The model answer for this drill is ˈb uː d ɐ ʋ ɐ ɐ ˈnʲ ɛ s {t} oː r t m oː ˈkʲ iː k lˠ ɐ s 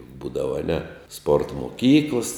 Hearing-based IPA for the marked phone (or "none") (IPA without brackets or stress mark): p